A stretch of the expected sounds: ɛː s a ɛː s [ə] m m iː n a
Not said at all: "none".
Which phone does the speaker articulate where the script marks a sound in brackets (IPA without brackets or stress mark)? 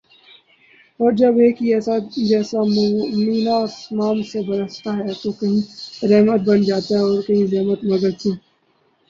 a